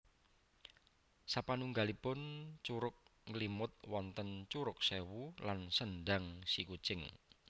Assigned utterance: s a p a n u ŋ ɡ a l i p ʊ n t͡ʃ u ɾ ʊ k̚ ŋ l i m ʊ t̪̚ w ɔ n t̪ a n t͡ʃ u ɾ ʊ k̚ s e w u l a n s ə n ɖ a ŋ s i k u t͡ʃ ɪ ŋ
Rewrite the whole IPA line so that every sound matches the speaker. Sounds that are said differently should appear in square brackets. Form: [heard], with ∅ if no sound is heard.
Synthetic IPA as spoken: s a p a n u ŋ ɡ a l i p ʊ n t͡ʃ u ɾ ʊ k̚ ŋ l i m ʊ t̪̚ w ɔ n t̪ [ə] n t͡ʃ u ɾ ʊ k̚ s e w u l a n s ə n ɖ a ŋ s i k u t͡ʃ ɪ ŋ

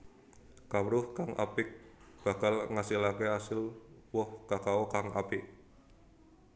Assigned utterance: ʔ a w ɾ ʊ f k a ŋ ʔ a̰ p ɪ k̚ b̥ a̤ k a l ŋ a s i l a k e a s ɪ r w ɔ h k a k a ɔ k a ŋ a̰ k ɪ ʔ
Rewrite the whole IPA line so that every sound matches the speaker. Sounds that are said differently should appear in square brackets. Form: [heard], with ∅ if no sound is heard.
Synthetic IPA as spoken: [k] a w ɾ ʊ [h] k a ŋ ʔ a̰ p ɪ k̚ b̥ a̤ k a l ŋ a s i l a k e a s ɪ [l] w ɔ h k a k a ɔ k a ŋ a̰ [p] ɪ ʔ

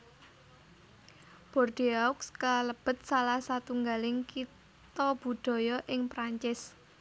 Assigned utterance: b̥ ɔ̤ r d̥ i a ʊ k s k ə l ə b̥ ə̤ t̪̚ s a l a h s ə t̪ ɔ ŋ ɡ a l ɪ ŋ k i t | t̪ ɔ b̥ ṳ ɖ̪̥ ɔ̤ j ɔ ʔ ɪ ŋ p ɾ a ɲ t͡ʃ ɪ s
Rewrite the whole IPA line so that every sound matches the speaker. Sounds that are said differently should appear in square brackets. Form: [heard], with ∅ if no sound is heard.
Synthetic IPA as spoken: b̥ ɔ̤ r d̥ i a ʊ k s k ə l ə b̥ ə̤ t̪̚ s a l a h s [a] t̪ [u] ŋ ɡ a l ɪ ŋ k i t | t̪ ɔ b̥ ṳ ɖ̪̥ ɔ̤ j ɔ ʔ ɪ ŋ p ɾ a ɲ t͡ʃ ɪ s

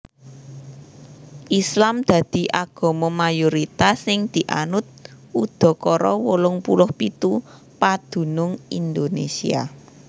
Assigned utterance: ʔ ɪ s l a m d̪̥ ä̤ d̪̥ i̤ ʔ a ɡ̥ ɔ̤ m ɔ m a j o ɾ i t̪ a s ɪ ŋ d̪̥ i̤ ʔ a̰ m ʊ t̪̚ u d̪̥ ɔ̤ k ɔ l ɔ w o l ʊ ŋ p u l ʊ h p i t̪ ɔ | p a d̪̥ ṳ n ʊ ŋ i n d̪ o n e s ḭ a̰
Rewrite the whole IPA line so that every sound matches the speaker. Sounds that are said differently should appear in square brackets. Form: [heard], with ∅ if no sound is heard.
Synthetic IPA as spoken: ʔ [i] s l a m d̪̥ ä̤ d̪̥ i̤ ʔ a ɡ̥ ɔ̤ m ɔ m a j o ɾ i t̪ a s ɪ ŋ d̪̥ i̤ ʔ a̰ [n] ʊ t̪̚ u d̪̥ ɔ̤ k ɔ [ɾ] ɔ w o l ʊ ŋ p u l ʊ h p i t̪ [u] | p a d̪̥ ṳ n ʊ ŋ i n d̪ o n e s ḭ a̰

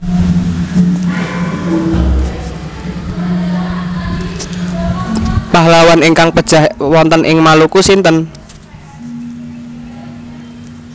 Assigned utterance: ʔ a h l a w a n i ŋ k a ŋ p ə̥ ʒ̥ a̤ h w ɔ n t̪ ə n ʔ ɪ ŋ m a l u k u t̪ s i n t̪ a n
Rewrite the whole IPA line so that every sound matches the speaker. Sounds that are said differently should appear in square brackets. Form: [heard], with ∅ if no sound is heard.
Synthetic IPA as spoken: [p] a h l a w a n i ŋ k a ŋ p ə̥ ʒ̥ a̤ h w ɔ n t̪ ə n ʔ ɪ ŋ m a l u k u [∅] s i n t̪ [ə] n

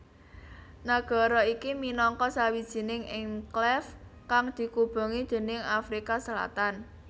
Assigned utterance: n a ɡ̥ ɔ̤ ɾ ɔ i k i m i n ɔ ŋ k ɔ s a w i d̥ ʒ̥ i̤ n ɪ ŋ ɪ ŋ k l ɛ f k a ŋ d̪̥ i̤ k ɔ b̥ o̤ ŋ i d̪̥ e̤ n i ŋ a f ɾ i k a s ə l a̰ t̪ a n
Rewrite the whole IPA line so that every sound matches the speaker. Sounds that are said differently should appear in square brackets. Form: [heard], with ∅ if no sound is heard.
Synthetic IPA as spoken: n a ɡ̥ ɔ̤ ɾ ɔ i k i m i n ɔ ŋ k ɔ s a w i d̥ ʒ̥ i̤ n ɪ ŋ ɪ ŋ k l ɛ f k a ŋ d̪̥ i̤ k [u] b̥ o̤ ŋ i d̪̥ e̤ n [ɪ] ŋ a f ɾ i k a s ə l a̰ t̪ a n

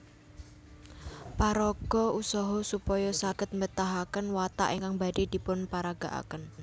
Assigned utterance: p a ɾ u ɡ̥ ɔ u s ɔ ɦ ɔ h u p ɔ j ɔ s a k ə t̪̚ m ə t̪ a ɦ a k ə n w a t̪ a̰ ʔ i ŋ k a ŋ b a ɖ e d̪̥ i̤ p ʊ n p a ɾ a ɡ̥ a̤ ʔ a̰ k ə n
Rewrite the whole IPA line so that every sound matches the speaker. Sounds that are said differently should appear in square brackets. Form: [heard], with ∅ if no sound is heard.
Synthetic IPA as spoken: p a ɾ [ɔ] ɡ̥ ɔ u s ɔ ɦ ɔ [s] u p ɔ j ɔ s a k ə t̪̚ m ə t̪ a ɦ a k ə n w a t̪ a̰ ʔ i ŋ k a ŋ b a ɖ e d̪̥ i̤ p ʊ n p a ɾ a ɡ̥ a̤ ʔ a̰ k ə n

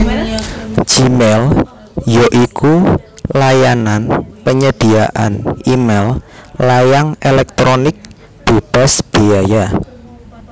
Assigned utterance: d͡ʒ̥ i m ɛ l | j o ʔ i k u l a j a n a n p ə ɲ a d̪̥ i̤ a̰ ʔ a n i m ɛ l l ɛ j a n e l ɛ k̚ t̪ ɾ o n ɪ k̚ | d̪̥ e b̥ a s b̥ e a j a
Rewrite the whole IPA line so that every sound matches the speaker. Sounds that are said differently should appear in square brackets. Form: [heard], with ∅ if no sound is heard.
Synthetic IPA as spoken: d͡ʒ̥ i m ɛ l | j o ʔ i k u l a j a n a n p ə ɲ [ə] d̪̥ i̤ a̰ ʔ a n i m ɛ l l [a] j a [ŋ] e l ɛ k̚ t̪ ɾ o n ɪ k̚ | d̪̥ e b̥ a s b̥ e a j a

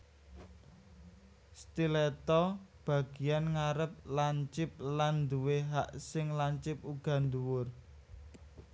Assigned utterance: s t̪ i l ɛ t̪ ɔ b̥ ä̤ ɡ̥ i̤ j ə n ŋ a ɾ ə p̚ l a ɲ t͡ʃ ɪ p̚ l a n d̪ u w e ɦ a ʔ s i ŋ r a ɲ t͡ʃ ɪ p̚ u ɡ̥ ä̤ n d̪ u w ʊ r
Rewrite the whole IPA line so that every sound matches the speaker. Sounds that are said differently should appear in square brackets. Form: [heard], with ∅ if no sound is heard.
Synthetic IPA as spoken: s t̪ i l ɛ t̪ ɔ b̥ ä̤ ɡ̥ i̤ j [a] n ŋ a ɾ ə p̚ l a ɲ t͡ʃ ɪ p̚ l a n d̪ u w e ɦ a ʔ s [ɪ] ŋ [l] a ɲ t͡ʃ ɪ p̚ u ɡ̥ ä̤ n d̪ u w ʊ r

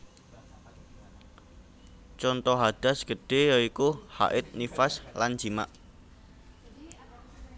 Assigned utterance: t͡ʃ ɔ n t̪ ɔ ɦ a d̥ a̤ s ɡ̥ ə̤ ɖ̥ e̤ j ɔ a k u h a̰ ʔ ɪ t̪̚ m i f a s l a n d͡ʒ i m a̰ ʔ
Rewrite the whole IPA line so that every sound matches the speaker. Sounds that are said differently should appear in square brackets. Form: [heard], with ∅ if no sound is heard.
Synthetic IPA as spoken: t͡ʃ ɔ n t̪ ɔ ɦ a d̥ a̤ s ɡ̥ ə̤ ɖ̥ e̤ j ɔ [i] k u h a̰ ʔ ɪ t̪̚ [n] i f a s l a n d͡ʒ i m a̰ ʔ

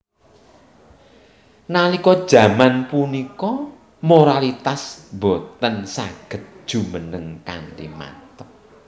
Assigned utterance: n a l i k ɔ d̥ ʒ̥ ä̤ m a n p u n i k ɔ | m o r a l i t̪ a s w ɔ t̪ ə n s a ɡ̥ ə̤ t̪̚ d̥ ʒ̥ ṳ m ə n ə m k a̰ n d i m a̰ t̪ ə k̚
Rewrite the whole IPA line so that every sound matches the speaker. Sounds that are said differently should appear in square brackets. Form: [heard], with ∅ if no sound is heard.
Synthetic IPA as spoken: n a l i k ɔ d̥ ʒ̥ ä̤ m a n p u n i k ɔ | m o [ɾ] a l i t̪ a s [b] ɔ t̪ ə n s a ɡ̥ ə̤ t̪̚ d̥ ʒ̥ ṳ m ə n ə [ŋ] k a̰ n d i m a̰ t̪ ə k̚

